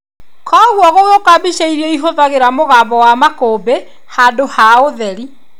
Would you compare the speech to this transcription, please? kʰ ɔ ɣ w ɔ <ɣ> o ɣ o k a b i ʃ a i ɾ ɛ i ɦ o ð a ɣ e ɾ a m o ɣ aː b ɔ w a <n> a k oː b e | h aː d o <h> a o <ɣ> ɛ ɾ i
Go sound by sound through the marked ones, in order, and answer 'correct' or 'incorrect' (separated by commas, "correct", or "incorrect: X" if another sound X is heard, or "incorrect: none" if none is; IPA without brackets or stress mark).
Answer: correct, incorrect: m, correct, incorrect: ð